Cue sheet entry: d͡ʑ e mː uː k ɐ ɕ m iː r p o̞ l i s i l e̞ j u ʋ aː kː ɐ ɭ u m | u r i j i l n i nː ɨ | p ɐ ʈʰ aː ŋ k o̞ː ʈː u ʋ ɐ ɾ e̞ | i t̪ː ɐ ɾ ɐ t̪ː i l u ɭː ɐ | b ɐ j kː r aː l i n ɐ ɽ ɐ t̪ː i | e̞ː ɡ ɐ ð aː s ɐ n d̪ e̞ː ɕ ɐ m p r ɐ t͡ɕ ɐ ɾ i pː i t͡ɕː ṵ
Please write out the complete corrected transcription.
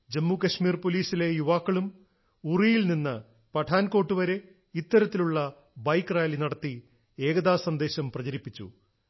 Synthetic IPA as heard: d͡ʑ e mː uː k ɐ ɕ m iː r p o̞ l iː s i l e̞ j u ʋ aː kː ɐ ɭ u m | u r i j i l n i nː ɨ | p ɐ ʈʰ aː n k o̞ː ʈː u ʋ ɐ ɾ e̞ | i t̪ː ɐ ɾ ɐ t̪ː i l u ɭː ɐ | b ɐ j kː r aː l i n ɐ ɽ ɐ t̪ː i | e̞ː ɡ ɐ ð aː s ɐ n d̪ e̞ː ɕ ɐ m p r ɐ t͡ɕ ɐ ɾ i pː i t͡ɕː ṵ

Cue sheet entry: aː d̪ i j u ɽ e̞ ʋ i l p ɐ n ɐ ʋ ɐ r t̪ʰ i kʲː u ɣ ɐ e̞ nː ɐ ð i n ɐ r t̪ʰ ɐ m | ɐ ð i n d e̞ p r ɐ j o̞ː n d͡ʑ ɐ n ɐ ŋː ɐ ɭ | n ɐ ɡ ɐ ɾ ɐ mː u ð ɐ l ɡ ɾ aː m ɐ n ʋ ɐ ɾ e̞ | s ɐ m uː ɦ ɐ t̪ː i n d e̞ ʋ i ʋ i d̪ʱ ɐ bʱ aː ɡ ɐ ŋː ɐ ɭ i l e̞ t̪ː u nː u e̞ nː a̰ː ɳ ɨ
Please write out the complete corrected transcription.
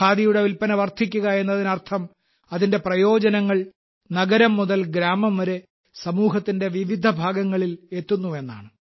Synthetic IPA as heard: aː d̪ i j u ɽ e̞ ʋ i l p ɐ n ɐ ʋ ɐ r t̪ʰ i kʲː u ɣ ɐ e̞ nː ɐ ð i n ɐ r t̪ʰ ɐ m | ɐ ð i n d e̞ p r ɐ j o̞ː d͡ʑ ɐ n ɐ ŋː ɐ ɭ | n ɐ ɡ ɐ ɾ ɐ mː u ð ɐ l ɡ ɾ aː m ɐ m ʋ ɐ ɾ e̞ | s ɐ m uː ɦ ɐ t̪ː i n d e̞ ʋ i ʋ i d̪ʱ ɐ bʱ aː ɡ ɐ ŋː ɐ ɭ i l e̞ t̪ː u nː u e̞ nː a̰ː ɳ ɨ

